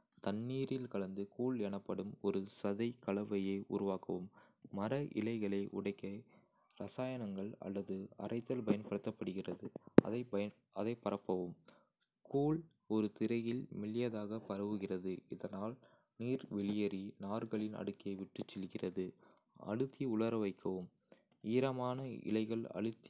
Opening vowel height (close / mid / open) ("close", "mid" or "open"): open